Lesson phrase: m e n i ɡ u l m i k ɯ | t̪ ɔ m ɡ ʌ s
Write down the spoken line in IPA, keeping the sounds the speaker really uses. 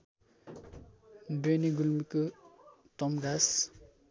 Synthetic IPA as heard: b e n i ɡ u l m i k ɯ | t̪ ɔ m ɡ a s